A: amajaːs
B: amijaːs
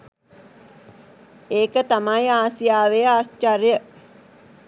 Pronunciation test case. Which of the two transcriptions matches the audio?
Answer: A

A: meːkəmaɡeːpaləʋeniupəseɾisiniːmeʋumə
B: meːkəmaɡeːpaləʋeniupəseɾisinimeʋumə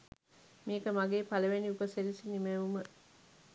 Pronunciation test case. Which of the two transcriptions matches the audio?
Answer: B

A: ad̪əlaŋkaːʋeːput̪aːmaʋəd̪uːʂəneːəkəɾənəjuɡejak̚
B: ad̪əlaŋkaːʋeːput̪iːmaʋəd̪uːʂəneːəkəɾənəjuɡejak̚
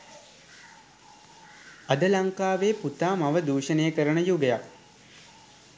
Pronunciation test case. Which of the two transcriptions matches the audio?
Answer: A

